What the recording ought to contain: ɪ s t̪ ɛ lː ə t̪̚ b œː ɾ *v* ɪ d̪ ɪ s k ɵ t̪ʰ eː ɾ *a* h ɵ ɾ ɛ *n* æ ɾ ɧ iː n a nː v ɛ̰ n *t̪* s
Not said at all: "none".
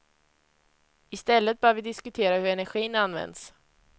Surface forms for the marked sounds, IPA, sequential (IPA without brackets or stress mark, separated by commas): v, a, n, d̪